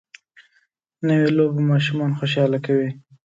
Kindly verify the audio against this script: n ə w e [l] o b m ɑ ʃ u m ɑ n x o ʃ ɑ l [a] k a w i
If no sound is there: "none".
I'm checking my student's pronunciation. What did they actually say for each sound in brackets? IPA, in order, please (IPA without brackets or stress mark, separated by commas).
l, a